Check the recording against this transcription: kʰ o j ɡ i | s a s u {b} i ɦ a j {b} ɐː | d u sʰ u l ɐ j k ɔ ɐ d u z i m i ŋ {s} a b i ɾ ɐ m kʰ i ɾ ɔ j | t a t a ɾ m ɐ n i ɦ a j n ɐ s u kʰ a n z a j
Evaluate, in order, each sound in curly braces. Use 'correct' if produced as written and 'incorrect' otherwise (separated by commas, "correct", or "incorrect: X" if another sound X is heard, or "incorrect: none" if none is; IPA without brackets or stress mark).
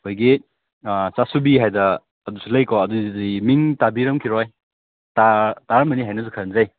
correct, incorrect: d, incorrect: t